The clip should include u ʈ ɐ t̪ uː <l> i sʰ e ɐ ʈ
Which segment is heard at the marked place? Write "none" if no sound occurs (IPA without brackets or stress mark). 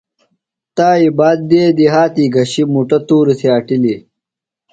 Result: ɾ